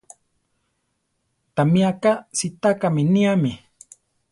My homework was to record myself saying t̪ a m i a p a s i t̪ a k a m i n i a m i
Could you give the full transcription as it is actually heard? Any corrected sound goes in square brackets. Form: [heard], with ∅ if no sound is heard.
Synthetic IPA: t̪ a m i a [k] a s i t̪ a k a m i n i a m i